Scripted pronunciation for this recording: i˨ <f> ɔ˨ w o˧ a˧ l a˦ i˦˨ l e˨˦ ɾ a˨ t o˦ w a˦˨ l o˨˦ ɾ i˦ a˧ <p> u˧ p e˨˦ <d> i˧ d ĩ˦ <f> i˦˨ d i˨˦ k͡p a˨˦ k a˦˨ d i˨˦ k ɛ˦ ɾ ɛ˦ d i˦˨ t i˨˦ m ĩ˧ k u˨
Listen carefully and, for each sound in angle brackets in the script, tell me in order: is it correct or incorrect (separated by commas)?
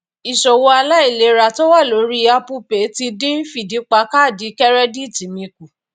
incorrect, correct, incorrect, correct